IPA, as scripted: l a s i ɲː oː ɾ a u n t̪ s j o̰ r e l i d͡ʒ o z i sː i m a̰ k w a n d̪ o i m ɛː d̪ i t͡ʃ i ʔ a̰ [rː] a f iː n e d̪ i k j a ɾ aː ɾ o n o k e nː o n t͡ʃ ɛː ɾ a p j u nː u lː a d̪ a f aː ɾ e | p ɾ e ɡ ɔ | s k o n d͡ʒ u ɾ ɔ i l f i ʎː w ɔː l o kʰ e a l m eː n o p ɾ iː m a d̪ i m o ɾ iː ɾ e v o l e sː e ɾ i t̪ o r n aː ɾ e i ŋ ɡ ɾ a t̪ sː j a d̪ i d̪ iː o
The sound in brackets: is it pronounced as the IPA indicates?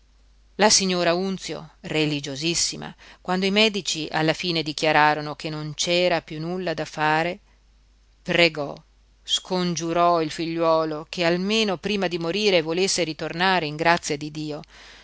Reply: no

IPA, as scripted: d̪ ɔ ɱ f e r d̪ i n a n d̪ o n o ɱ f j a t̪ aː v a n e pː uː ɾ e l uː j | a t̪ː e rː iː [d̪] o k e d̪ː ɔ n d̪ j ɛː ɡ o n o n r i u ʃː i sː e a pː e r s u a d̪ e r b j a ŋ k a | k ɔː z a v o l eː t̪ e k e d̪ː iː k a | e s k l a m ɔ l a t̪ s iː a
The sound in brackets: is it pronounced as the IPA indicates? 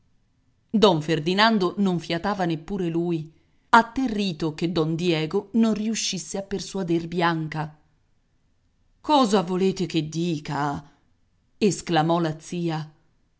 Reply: no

